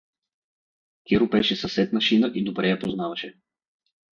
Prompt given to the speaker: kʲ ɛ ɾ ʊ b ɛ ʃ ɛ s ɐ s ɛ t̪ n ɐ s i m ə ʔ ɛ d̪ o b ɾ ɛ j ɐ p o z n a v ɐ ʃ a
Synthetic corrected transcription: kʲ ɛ ɾ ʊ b ɛ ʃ ɛ s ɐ s ɛ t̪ n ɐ ʃ i n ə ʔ i d̪ o b ɾ ɛ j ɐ p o z n a v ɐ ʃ ɛ